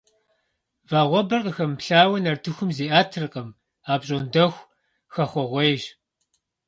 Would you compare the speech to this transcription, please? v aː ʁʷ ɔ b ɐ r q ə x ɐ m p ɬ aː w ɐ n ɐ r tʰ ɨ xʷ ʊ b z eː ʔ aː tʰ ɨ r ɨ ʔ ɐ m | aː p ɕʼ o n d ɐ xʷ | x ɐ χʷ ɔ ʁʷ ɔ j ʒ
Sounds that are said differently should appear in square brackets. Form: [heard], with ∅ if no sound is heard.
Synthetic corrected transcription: v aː ʁʷ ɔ b ɐ r q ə x ɐ m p ɬ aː w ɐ n ɐ r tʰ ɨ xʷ ʊ [m] z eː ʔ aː tʰ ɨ r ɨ [q] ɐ m | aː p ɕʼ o n d ɐ xʷ | x ɐ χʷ ɔ ʁʷ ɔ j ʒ